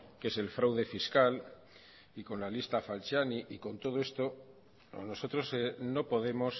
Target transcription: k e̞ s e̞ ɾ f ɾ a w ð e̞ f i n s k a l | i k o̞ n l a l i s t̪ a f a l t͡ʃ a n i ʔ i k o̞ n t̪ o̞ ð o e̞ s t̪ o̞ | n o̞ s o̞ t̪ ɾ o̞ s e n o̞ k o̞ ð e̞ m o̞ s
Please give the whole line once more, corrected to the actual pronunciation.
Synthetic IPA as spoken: k e̞ s e̞ l f ɾ a w ð e̞ f i s k a l | i k o̞ n l a l i s t̪ a f a l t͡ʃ a n i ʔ i k o̞ n t̪ o̞ ð o e̞ s t̪ o̞ | n o̞ s o̞ t̪ ɾ o̞ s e n o̞ p o̞ ð e̞ m o̞ s